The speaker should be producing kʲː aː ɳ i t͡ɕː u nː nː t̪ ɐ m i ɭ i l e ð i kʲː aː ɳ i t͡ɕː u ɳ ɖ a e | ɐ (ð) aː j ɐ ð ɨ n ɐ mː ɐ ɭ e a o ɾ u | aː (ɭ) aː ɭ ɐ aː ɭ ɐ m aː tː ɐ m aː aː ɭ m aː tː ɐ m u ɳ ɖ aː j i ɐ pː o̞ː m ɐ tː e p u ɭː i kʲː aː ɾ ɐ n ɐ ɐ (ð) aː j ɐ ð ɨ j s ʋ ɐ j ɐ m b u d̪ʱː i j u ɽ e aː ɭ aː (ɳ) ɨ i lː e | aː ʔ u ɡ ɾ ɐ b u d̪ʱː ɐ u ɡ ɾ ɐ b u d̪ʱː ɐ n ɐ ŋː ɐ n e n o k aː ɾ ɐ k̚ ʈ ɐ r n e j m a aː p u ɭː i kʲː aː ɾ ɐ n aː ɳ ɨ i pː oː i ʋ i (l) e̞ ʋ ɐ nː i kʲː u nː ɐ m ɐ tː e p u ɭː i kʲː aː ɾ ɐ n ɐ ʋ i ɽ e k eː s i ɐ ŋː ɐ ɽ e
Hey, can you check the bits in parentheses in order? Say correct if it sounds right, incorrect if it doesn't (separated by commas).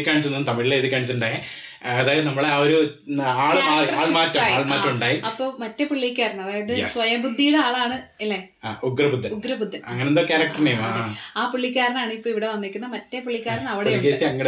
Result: correct, correct, correct, correct, incorrect